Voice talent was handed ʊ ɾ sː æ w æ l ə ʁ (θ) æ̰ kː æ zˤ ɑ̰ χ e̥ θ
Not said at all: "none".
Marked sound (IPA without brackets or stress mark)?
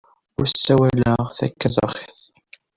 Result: θ